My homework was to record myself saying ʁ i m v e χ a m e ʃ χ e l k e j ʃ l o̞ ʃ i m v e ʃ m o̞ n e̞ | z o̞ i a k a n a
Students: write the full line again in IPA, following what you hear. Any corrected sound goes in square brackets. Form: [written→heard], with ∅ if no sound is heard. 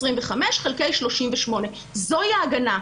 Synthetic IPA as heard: ʁ i m v e χ a m e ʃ χ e l k e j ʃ l o̞ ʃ i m v e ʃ m o̞ n e̞ | z o̞ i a [k→ɡ] a n a